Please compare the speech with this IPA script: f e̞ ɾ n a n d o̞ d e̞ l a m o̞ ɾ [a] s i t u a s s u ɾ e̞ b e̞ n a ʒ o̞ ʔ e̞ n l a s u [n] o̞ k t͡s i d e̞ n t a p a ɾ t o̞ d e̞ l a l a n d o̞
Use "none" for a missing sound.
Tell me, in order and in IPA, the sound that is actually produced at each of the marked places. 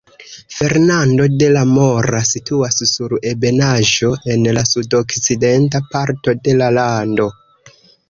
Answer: a, d

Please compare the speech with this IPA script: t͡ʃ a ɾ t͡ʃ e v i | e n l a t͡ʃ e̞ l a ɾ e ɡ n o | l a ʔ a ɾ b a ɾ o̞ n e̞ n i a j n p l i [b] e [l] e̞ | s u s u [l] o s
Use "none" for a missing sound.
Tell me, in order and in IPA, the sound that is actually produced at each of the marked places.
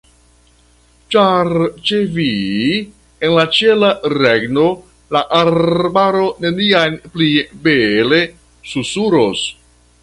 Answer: b, l, ɾ

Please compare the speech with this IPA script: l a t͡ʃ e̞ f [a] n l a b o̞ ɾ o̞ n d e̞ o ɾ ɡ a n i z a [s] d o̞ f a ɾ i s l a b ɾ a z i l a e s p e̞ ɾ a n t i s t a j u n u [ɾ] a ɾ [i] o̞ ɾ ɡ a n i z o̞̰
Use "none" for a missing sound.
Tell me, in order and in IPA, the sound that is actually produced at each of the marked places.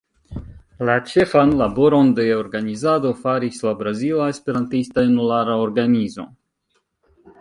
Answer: a, none, l, a

